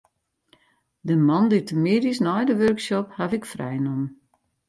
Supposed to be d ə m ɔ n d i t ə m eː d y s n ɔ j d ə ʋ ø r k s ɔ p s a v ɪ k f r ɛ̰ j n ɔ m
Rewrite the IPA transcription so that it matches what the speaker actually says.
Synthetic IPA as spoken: d ə m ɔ n d i t ə m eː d i s n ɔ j d ə ʋ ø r k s ɔ p h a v ɪ k f r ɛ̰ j n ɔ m